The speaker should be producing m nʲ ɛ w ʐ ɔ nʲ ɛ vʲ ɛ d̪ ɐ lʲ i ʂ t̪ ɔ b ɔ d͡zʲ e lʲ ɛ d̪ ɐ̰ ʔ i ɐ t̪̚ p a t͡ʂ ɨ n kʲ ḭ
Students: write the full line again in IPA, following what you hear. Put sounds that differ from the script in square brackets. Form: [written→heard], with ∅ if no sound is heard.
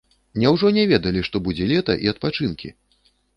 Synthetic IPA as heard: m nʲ ɛ w ʐ ɔ nʲ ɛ vʲ ɛ d̪ ɐ lʲ i ʂ t̪ ɔ b [ɔ→u] d͡zʲ [e→ɛ] lʲ ɛ [d̪→t̪] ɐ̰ ʔ i ɐ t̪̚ p a t͡ʂ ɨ n kʲ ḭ